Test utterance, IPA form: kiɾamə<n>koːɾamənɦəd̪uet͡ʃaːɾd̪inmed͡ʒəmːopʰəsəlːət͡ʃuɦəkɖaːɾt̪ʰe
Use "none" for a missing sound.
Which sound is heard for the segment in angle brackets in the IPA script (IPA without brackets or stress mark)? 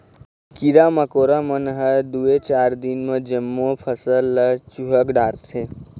none